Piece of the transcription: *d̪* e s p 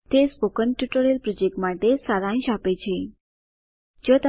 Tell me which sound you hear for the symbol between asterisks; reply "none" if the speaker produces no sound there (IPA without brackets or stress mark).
t̪